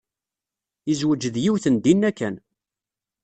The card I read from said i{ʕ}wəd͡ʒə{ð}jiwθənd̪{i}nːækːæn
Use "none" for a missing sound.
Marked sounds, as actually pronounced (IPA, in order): z, ð, i

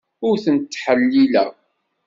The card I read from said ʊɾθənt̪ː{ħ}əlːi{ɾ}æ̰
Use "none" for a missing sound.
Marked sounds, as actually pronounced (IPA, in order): ħ, l

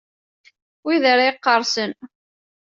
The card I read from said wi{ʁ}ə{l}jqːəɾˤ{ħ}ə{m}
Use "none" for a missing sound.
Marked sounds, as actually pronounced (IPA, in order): ð, ɾ, s, n

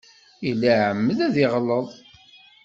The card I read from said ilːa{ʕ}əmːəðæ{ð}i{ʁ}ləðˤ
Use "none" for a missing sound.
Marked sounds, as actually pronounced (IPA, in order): ʕ, ð, ʁ

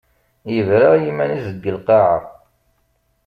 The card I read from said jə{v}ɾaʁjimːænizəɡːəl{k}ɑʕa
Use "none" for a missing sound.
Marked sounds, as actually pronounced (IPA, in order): v, q

